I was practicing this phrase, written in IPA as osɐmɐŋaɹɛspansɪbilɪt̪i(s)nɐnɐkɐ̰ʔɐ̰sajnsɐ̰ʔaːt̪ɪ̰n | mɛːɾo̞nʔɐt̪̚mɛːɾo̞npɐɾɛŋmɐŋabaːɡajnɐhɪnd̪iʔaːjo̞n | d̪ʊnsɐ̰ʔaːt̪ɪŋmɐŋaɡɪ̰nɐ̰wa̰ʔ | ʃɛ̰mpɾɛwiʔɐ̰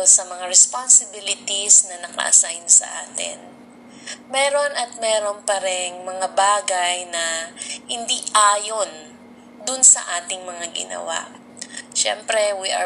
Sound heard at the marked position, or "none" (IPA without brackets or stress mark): s